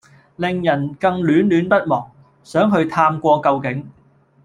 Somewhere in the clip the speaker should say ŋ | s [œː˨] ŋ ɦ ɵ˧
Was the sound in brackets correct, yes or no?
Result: no